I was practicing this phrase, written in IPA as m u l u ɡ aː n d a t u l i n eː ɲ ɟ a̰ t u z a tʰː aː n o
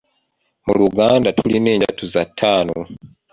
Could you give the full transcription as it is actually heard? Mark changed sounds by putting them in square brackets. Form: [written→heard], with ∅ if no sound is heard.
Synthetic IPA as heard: m u l u ɡ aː n d a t u l i n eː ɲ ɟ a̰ t u z a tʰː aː n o